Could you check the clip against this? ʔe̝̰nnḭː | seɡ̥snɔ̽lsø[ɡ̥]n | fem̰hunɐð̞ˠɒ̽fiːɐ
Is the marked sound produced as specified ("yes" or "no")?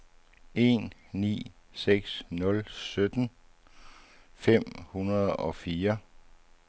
no